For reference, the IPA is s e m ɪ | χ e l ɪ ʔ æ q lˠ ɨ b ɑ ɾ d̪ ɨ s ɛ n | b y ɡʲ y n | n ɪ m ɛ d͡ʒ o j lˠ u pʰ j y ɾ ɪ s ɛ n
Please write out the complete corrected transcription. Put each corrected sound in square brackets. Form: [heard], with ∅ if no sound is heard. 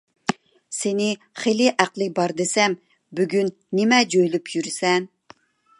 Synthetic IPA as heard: s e [n] ɪ | χ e l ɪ ʔ æ q lˠ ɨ b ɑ ɾ d̪ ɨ s ɛ [m] | b y ɡʲ y n | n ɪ m ɛ d͡ʒ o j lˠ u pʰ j y ɾ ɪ s ɛ n